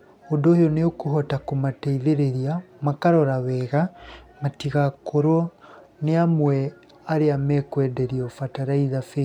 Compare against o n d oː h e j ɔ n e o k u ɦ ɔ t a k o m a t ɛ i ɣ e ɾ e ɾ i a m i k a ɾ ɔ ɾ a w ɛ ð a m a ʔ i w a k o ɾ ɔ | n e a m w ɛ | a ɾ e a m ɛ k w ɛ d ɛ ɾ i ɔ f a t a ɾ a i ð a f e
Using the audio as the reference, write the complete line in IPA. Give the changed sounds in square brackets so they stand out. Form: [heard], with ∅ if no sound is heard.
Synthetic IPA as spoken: o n d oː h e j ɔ n e o k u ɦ ɔ t a k o m a t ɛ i [ð] e ɾ e ɾ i a m [a] k a ɾ ɔ ɾ a w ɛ [ɣ] a m a [t] i [ɣ] a k o ɾ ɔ | n e a m w ɛ | a ɾ e a m ɛ k w ɛ d ɛ ɾ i ɔ f a t a ɾ a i ð a f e